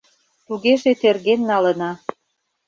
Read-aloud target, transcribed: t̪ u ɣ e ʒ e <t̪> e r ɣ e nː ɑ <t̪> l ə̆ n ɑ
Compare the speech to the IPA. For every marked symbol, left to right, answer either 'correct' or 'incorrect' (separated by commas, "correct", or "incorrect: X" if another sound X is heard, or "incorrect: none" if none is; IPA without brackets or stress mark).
correct, incorrect: none